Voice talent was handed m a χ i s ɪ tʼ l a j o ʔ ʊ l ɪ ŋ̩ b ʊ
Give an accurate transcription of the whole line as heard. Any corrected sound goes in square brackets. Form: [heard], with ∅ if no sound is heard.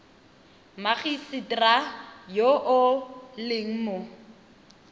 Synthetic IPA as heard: m a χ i s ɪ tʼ [r] a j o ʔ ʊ l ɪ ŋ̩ [m] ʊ